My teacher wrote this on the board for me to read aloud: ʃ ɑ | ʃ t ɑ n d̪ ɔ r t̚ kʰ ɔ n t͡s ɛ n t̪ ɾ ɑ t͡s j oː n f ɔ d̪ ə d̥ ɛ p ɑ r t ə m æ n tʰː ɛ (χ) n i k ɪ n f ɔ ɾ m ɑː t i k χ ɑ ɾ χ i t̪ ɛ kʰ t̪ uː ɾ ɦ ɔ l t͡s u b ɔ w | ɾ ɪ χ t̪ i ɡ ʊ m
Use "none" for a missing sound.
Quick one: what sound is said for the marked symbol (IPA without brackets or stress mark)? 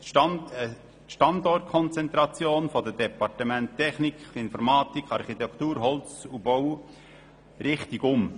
χ